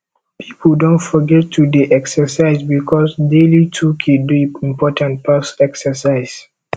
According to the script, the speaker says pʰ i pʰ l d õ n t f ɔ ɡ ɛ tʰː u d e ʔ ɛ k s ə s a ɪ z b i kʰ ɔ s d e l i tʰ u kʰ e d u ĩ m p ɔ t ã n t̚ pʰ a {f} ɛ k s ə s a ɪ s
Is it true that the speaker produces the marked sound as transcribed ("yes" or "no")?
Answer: no